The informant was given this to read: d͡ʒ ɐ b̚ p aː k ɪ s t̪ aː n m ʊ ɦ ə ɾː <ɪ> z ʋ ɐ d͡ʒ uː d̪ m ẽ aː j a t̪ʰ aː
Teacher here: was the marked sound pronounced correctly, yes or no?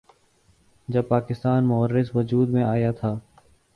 yes